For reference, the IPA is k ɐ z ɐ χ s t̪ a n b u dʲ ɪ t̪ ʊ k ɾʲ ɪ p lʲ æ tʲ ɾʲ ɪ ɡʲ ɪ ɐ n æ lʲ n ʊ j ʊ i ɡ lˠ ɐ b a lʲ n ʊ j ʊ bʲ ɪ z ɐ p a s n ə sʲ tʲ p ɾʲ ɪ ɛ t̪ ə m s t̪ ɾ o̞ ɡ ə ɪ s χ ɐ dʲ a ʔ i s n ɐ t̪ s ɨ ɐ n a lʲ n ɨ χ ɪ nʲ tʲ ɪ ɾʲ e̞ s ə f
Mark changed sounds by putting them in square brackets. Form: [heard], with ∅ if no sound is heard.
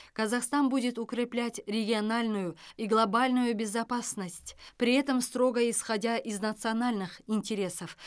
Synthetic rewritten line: k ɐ z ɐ χ s t̪ a n b u dʲ ɪ t̪ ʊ k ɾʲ ɪ p lʲ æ tʲ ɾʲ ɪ ɡʲ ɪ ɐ n [a] lʲ n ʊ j ʊ i ɡ lˠ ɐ b a lʲ n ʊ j ʊ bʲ ɪ z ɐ p a s n ə sʲ tʲ p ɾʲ ɪ ɛ t̪ ə m s t̪ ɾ o̞ ɡ ə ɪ s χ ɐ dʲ a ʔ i [z] n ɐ t̪ s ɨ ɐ n a lʲ n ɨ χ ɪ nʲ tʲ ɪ ɾʲ e̞ s ə f